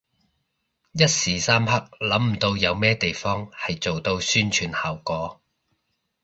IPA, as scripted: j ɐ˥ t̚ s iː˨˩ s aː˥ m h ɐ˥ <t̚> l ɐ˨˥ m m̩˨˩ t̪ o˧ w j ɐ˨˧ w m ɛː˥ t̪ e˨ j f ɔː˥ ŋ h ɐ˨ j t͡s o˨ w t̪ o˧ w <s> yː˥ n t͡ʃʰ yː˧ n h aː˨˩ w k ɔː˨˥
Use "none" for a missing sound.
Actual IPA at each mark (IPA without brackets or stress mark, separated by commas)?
k̚, s